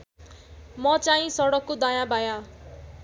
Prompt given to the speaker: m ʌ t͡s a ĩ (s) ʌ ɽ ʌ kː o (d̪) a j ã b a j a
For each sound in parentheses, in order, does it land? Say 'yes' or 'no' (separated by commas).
yes, yes